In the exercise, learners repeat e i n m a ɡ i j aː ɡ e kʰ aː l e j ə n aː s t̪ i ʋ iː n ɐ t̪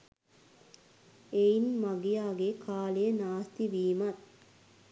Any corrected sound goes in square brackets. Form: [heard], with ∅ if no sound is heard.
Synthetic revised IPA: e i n m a ɡ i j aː ɡ e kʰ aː l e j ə n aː s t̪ i ʋ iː [m] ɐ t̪